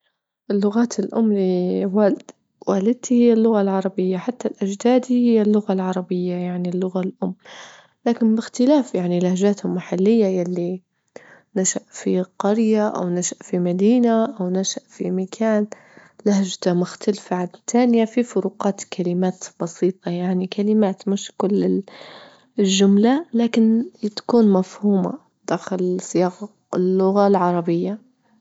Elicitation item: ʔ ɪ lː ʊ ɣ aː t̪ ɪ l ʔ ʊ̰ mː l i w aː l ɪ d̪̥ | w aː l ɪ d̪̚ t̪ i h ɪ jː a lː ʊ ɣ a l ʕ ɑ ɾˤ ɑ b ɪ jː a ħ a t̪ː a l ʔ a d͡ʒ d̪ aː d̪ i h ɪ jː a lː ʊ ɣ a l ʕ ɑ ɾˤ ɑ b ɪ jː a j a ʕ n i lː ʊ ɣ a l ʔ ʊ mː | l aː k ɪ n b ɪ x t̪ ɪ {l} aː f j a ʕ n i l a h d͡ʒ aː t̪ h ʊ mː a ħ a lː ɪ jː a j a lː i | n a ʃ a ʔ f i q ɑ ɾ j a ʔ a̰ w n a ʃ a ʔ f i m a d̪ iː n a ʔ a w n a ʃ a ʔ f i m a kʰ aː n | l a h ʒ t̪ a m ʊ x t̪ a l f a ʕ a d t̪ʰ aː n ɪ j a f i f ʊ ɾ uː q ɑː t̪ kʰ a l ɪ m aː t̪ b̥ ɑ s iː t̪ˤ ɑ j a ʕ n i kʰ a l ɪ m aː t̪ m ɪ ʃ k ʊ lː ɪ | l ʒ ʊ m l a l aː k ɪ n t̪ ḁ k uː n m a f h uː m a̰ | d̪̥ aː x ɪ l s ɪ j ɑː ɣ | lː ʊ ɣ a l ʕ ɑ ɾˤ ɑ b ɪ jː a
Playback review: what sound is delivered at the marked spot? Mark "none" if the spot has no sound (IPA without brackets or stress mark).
l